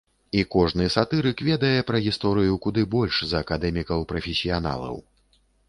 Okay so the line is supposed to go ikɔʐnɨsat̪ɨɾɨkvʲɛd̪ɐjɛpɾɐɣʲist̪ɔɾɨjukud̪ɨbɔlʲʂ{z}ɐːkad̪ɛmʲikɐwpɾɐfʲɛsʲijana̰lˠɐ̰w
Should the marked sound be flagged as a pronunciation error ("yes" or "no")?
no